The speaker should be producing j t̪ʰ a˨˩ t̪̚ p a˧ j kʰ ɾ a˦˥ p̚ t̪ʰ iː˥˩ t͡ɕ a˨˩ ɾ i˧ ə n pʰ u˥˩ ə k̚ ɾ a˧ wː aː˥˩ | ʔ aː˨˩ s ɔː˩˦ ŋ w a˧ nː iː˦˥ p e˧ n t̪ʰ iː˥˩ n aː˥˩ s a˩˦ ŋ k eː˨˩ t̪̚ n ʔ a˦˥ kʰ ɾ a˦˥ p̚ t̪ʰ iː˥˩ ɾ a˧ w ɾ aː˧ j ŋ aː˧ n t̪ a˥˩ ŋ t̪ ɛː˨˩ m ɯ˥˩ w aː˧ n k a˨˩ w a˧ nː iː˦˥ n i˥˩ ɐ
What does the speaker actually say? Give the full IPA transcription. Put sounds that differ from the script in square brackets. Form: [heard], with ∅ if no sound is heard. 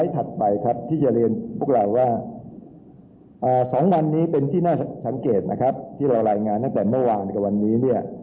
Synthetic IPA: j t̪ʰ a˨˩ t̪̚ p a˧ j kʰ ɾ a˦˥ p̚ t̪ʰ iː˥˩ t͡ɕ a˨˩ ɾ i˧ ə n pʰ u˥˩ ə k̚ ɾ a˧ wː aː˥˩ | ʔ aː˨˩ s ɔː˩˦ ŋ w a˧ nː iː˦˥ p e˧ n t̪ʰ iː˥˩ n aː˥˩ s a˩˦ ŋ k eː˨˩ t̪̚ n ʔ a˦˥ kʰ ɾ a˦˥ p̚ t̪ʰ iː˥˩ ɾ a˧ w ɾ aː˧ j ŋ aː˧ n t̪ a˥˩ ŋ t̪ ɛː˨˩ m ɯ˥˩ w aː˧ n k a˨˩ w a˧ nː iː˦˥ n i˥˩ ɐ

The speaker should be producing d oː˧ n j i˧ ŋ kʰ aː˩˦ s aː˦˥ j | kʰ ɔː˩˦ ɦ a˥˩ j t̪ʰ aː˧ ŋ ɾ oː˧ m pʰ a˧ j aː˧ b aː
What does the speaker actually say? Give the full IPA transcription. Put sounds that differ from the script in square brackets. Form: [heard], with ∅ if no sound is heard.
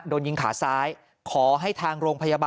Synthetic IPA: d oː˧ n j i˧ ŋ kʰ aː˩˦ s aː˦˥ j | kʰ ɔː˩˦ ɦ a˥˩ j t̪ʰ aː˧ ŋ ɾ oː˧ [ŋ] pʰ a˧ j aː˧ b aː

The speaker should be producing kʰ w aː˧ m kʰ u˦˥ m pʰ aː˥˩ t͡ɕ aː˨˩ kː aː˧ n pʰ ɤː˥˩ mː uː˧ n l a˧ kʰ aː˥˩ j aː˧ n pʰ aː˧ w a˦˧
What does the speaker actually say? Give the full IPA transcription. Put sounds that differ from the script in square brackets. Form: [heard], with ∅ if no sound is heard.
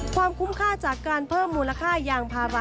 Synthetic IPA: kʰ w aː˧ m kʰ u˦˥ m [kʰ] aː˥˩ t͡ɕ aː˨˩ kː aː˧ n pʰ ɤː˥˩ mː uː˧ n l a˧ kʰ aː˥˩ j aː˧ [ŋ] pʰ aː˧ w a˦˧

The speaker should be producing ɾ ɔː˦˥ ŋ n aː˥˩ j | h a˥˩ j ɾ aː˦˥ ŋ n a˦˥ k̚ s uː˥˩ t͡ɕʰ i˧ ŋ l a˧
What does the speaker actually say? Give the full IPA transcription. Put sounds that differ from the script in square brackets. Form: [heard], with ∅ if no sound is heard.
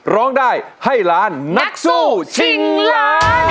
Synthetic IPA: ɾ ɔː˦˥ ŋ [d] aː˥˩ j | h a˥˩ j ɾ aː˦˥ [n] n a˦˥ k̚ s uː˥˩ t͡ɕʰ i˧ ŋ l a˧

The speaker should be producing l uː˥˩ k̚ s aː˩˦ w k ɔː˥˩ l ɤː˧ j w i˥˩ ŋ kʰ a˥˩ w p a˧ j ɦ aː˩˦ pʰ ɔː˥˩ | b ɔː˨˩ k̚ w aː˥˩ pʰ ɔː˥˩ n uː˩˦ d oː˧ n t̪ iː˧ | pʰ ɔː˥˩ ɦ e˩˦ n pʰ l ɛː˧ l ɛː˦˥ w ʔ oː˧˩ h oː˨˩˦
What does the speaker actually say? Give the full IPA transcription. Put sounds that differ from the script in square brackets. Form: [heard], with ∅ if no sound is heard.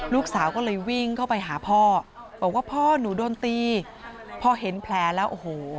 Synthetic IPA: l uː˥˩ k̚ s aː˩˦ w k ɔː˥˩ l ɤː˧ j w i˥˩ ŋ kʰ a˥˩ w p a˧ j ɦ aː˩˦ pʰ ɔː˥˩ | b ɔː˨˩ k̚ w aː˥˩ pʰ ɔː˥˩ n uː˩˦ d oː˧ n t̪ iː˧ | pʰ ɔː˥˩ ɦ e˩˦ n pʰ l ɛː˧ l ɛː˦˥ w ʔ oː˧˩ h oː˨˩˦

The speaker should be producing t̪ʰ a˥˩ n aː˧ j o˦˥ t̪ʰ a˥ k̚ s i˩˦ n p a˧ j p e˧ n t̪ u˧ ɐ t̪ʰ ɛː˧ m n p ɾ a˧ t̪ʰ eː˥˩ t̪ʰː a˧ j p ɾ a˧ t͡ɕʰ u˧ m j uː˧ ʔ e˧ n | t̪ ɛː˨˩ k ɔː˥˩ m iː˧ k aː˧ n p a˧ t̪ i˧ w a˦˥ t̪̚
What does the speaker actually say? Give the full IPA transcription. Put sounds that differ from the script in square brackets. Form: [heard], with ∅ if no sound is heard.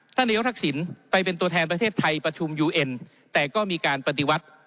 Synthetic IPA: t̪ʰ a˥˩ n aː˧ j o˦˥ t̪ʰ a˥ k̚ s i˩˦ n p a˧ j p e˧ n t̪ u˧ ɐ t̪ʰ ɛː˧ [∅] n p ɾ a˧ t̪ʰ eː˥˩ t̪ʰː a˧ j p ɾ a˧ t͡ɕʰ u˧ m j uː˧ ʔ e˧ n | t̪ ɛː˨˩ k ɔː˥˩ m iː˧ k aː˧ n p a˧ t̪ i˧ w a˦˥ t̪̚

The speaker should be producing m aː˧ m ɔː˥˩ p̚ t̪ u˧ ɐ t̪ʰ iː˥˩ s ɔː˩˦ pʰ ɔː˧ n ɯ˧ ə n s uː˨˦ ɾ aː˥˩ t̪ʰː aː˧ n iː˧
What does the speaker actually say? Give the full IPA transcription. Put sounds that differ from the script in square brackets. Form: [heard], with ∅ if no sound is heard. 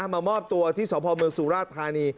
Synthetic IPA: m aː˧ m ɔː˥˩ p̚ t̪ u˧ ɐ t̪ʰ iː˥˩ s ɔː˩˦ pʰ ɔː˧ [m] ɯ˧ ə [ŋ] s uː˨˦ ɾ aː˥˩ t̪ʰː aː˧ n iː˧

